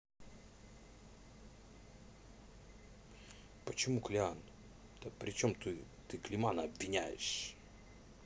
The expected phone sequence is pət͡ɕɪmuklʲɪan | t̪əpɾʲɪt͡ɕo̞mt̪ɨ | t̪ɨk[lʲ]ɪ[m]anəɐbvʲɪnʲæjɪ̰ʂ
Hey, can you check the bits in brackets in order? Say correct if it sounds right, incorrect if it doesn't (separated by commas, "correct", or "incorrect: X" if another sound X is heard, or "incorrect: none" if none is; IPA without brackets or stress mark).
correct, correct